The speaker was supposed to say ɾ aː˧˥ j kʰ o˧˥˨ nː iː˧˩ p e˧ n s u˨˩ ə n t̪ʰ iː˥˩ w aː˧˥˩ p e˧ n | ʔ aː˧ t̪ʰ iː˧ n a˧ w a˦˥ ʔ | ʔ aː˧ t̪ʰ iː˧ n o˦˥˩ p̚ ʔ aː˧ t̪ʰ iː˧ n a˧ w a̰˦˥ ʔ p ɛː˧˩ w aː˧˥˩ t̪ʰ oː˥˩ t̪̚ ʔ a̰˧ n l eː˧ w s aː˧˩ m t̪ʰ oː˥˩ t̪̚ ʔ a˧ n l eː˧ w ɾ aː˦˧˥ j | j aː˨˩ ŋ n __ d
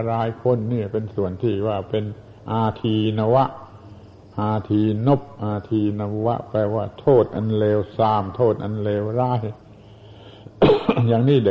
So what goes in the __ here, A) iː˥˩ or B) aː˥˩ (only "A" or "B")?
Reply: A